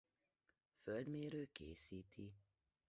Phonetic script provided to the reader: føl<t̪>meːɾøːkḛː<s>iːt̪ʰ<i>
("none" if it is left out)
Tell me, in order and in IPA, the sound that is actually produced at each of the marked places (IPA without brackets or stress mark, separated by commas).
d̪, s, i